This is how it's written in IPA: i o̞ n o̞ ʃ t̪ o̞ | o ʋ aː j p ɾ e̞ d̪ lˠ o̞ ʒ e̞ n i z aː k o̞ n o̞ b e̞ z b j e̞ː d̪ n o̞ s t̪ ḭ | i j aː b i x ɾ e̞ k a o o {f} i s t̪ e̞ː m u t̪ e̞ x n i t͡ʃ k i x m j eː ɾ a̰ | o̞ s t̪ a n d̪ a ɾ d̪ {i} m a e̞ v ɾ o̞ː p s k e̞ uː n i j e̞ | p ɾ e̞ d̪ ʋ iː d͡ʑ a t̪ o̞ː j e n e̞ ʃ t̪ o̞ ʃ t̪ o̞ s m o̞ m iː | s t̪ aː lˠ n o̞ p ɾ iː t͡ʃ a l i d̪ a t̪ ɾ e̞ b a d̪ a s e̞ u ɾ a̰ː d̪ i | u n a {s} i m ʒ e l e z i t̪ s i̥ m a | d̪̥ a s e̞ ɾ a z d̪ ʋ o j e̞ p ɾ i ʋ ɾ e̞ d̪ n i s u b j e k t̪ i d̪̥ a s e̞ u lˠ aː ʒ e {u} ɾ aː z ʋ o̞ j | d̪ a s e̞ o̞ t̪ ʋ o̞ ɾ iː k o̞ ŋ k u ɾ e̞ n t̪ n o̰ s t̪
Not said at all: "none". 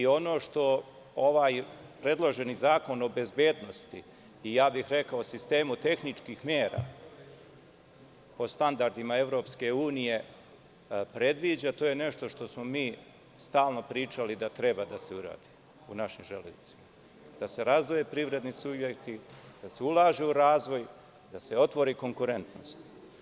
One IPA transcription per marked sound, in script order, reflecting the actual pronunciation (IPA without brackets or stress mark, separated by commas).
s, i, ʃ, u